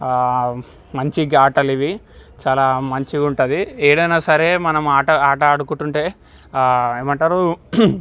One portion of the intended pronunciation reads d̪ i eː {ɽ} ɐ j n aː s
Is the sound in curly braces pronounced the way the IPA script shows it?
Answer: yes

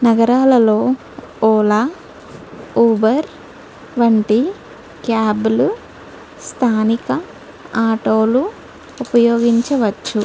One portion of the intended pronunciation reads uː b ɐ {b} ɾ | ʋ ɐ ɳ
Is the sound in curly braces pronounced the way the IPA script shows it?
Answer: no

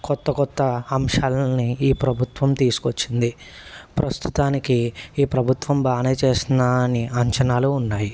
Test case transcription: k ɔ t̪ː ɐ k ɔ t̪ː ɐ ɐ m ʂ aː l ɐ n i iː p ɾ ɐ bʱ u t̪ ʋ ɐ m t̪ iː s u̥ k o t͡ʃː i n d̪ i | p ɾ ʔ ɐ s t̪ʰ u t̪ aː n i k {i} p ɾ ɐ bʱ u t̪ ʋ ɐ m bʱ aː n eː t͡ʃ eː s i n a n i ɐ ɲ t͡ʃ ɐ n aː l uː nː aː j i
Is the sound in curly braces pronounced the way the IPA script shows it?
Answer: no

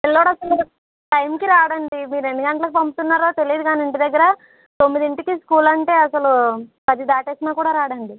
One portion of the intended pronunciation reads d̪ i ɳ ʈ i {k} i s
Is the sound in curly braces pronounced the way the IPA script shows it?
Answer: yes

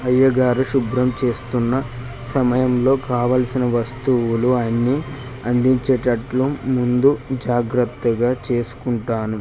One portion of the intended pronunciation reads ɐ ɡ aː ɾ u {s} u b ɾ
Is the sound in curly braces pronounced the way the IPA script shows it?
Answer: no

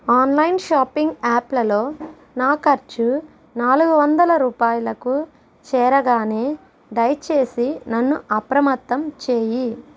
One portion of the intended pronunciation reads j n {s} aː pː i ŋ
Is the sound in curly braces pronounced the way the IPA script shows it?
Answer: no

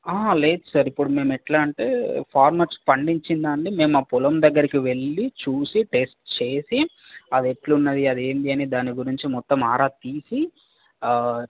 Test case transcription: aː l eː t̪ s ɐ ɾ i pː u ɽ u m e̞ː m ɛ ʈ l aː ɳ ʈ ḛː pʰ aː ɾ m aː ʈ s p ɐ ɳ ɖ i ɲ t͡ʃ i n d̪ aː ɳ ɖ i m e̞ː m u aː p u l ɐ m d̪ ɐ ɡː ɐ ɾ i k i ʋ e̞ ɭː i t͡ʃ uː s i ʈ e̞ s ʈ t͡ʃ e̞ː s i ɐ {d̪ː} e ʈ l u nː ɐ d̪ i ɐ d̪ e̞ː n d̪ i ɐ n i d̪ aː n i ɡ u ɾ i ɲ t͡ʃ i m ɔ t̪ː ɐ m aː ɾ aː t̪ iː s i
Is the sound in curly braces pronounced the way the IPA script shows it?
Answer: no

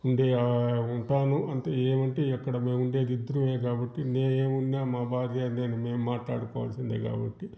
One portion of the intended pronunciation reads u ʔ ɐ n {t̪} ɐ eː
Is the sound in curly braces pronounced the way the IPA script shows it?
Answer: yes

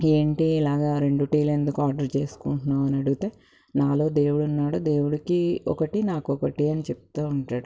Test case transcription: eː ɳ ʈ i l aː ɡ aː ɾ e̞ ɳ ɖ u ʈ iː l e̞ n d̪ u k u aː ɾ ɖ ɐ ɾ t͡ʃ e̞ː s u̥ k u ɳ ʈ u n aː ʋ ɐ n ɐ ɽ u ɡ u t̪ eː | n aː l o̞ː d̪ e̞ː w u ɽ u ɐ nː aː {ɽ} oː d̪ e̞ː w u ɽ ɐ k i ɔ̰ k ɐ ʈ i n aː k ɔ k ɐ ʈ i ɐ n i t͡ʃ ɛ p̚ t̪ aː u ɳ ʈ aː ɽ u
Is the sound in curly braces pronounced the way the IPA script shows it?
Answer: yes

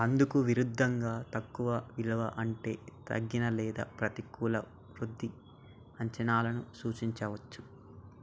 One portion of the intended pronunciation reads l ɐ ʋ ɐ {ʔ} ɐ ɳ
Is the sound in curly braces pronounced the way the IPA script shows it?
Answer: yes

